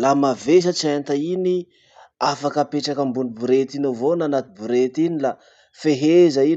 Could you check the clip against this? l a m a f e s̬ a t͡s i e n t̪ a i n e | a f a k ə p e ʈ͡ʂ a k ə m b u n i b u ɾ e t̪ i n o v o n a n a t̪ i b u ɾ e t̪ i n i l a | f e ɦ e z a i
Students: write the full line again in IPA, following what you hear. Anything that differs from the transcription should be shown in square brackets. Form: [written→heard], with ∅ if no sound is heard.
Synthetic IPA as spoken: l a m a [f→v] e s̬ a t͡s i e n t̪ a i n [e→i] | a f a k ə p e ʈ͡ʂ a k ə m b u n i b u ɾ e t̪ i n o v o n a n a t̪ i b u ɾ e t̪ i n i l a | f e ɦ e z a i